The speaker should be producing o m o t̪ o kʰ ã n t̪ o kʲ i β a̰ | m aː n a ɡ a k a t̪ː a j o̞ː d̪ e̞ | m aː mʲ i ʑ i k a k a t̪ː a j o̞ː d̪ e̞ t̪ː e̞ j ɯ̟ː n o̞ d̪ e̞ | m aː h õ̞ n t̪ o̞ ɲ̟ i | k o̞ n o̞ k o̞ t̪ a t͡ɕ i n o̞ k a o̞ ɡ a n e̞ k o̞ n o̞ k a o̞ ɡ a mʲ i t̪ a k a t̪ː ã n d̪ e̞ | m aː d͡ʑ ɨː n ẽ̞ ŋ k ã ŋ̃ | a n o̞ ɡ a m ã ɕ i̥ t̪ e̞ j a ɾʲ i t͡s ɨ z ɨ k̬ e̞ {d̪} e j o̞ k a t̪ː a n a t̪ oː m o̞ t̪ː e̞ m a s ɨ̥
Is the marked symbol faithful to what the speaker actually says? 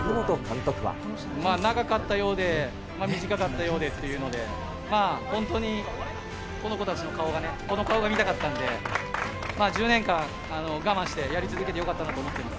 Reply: no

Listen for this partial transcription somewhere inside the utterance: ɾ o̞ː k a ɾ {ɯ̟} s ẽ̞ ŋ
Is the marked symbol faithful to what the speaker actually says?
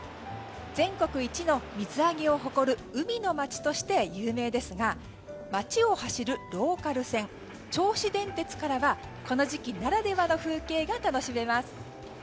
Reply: yes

